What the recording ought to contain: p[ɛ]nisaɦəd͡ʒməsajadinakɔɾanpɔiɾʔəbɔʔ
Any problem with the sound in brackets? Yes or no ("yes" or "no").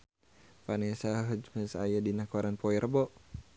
yes